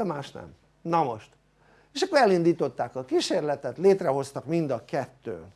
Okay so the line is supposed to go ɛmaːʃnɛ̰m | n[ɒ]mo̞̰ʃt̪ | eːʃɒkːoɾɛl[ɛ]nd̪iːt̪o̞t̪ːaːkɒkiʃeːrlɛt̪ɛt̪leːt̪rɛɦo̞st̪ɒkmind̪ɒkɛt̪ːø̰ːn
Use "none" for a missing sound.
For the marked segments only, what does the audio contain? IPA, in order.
ɒ, i

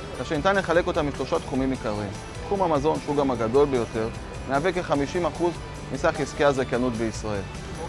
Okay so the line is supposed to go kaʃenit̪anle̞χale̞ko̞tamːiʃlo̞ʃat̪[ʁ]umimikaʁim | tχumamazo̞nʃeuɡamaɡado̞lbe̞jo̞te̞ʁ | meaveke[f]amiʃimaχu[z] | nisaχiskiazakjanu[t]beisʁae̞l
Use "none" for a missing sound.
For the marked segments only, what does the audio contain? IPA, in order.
χ, χ, z, t

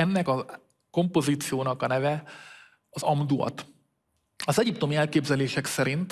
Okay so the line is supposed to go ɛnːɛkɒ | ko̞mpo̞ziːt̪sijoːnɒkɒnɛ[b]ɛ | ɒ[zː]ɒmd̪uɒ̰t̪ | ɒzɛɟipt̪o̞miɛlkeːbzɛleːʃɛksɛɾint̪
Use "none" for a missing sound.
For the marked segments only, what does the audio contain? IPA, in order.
v, z

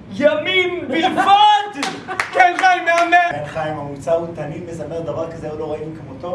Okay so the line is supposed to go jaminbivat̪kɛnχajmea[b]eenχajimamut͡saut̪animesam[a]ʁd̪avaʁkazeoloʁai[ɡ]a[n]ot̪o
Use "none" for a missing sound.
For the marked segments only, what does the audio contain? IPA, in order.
m, e, k, m

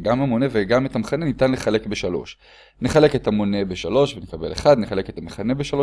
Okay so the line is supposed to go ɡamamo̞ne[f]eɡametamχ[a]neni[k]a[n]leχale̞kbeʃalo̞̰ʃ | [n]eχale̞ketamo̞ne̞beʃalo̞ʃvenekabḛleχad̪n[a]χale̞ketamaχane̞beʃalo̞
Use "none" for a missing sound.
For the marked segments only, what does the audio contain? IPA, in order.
v, a, t, n, n, e

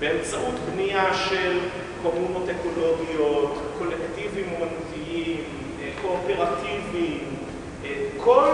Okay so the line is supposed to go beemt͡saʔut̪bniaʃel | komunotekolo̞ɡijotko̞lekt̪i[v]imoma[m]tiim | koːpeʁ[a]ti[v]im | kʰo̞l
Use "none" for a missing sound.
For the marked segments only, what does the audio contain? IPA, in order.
v, n, a, v

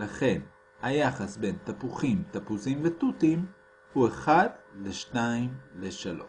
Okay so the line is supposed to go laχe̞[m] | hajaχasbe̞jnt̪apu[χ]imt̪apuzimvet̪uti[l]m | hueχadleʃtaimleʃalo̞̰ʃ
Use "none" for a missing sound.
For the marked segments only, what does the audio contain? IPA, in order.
n, χ, none

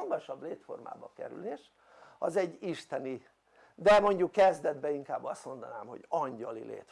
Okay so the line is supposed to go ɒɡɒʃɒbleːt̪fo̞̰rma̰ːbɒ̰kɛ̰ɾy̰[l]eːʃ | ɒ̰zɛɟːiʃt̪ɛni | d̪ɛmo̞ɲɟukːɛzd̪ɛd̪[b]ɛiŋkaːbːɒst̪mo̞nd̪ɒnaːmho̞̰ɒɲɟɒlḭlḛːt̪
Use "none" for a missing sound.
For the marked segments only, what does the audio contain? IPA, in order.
l, b

